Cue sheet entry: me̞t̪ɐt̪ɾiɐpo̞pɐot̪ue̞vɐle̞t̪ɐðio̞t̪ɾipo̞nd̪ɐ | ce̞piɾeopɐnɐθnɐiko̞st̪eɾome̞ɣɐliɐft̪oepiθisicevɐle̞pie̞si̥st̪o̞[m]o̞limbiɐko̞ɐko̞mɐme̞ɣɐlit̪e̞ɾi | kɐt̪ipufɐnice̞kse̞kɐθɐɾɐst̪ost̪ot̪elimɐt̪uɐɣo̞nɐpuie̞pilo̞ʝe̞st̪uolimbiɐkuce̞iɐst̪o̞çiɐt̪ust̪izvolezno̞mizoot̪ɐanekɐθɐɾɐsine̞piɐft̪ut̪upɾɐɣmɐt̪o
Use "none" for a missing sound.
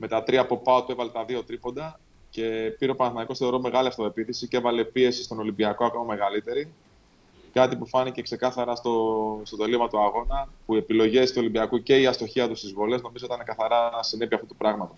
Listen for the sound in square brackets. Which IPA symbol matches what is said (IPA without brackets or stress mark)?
n